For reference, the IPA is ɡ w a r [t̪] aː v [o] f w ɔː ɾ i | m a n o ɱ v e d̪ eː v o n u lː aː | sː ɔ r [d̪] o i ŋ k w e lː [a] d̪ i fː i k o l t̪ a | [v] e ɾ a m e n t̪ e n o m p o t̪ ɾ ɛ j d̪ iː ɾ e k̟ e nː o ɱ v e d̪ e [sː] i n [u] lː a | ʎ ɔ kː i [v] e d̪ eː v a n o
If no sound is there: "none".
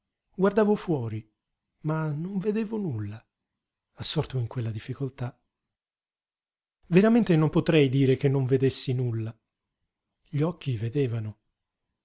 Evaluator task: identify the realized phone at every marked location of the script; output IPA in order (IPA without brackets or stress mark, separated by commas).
d̪, o, t̪, a, v, sː, u, v